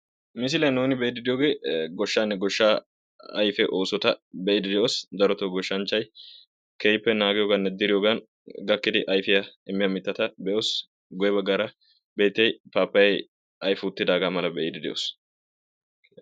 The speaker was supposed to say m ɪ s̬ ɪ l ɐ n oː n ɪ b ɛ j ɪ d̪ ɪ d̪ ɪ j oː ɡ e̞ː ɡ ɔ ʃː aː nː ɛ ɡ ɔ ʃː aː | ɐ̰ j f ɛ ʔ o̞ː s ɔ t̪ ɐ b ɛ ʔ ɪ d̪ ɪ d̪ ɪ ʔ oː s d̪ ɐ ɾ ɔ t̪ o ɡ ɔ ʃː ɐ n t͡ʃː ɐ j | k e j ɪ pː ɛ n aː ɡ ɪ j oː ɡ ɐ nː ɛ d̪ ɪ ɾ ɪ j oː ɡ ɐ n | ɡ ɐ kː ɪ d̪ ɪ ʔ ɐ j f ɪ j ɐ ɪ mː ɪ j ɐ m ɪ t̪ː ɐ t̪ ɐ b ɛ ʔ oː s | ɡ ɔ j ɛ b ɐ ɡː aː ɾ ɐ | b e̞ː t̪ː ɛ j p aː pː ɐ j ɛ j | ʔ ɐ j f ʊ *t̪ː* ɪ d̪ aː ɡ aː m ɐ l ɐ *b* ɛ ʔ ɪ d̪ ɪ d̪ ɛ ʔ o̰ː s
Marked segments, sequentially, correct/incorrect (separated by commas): correct, correct